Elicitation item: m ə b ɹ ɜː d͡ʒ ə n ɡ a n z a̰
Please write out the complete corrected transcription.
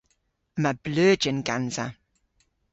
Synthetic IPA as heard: m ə b l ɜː d͡ʒ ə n ɡ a n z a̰